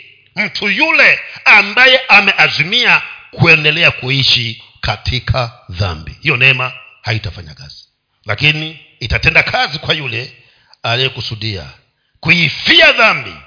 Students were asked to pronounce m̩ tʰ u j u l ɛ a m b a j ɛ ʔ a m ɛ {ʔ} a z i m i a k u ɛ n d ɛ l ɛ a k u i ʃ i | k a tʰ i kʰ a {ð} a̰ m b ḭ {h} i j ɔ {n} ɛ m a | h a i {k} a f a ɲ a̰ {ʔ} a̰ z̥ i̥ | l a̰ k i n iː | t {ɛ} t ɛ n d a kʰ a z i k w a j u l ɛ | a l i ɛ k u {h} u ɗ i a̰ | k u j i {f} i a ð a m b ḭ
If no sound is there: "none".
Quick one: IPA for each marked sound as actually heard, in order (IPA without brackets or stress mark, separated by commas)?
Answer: ʔ, ð, h, n, t, k, a, s, f